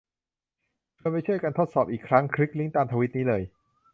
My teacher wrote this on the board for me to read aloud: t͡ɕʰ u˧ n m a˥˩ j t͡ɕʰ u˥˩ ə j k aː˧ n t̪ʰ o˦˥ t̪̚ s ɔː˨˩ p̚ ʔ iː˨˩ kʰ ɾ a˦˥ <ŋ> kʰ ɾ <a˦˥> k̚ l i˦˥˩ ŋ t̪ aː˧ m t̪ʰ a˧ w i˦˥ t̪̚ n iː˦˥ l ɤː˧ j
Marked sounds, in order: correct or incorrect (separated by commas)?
correct, incorrect